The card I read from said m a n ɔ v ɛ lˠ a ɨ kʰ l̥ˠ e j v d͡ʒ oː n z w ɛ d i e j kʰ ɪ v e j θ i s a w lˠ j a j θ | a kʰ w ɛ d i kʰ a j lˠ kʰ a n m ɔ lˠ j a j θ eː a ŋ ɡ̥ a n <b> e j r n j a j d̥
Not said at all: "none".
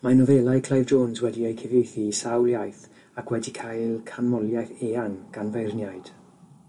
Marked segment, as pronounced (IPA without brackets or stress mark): v